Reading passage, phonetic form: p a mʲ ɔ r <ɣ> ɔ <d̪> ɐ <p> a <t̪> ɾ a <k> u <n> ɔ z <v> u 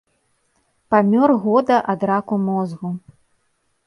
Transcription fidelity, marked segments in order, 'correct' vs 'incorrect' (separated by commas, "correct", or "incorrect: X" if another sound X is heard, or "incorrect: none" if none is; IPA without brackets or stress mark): correct, correct, incorrect: ʔ, incorrect: d̪, correct, incorrect: m, incorrect: ɣ